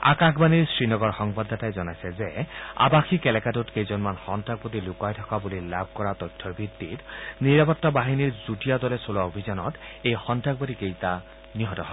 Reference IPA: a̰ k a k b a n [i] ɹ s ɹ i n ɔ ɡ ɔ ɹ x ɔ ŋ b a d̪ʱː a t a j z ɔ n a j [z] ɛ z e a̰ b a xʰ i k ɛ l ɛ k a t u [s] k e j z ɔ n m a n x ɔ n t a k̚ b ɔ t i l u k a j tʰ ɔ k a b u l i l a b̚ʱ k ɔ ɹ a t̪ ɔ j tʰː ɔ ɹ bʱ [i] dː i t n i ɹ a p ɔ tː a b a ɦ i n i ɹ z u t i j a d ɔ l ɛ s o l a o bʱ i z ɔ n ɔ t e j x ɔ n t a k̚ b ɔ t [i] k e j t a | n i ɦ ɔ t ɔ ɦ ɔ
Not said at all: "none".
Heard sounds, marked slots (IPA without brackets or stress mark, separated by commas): i, s, t, i, i